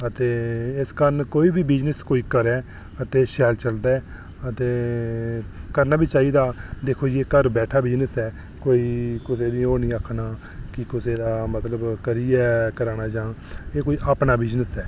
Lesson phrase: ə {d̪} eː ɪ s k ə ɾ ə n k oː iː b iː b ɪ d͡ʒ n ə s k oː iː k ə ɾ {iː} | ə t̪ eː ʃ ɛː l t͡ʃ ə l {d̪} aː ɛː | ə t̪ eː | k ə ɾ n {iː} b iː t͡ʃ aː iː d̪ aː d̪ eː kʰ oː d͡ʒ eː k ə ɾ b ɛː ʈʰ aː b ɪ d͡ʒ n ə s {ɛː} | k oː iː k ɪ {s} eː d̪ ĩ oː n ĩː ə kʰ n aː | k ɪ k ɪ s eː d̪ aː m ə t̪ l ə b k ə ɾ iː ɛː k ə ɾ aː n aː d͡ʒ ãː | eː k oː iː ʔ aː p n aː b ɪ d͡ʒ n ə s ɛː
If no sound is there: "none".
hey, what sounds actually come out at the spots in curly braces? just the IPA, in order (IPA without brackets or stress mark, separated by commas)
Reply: t̪, ɛː, d̪, aː, ɛː, s